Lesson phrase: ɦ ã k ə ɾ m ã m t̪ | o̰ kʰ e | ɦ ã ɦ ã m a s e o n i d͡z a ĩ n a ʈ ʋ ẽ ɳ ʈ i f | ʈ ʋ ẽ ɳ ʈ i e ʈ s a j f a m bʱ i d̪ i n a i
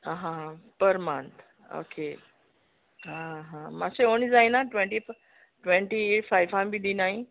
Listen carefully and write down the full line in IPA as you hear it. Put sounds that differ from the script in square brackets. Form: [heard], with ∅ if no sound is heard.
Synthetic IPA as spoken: ɦ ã [p] ə ɾ m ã [n] t̪ | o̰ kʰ e | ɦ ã ɦ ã m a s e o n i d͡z a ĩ n a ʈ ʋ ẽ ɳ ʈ i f | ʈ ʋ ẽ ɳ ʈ i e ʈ [f] a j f a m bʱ i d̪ i n a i